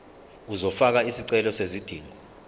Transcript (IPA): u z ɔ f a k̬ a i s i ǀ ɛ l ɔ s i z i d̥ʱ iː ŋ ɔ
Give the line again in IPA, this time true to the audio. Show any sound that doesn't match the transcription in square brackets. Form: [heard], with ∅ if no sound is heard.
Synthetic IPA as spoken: u z ɔ f a k̬ a i s i ǀ ɛ l ɔ s [e] z i d̥ʱ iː ŋ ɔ